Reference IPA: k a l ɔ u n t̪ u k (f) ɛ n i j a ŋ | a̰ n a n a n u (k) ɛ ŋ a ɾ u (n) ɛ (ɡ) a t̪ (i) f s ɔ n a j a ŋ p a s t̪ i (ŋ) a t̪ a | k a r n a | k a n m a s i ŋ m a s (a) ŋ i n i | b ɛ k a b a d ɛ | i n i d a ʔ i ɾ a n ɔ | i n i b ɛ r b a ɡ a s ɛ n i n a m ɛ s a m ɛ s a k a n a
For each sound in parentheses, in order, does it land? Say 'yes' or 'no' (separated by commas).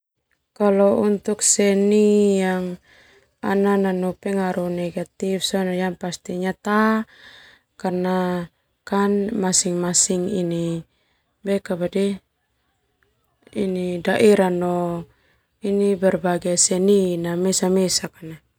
no, no, yes, yes, yes, no, no